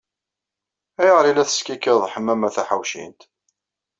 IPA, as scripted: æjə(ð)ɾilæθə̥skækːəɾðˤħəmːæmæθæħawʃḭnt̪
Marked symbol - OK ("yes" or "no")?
no